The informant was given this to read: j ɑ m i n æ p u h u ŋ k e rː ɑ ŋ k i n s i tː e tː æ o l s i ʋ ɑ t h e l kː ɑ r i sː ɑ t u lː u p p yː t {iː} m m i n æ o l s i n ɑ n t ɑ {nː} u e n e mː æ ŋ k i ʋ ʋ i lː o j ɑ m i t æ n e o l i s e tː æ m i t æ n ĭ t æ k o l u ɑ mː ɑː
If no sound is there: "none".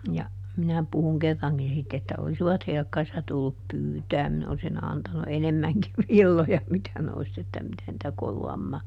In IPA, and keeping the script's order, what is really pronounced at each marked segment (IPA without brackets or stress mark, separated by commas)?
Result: æː, n